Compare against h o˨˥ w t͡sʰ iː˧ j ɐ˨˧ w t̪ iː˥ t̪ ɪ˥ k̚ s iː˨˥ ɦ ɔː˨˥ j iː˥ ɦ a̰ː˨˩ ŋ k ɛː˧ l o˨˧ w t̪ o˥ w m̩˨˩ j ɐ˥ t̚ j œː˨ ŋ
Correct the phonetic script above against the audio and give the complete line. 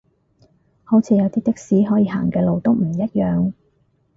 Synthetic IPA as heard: h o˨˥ w t͡sʰ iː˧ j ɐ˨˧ w t̪ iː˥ t̪ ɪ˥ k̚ s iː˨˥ ɦ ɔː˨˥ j iː˧ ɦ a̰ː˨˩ ŋ k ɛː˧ l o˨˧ w t̪ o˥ w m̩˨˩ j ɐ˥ t̚ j œː˨ ŋ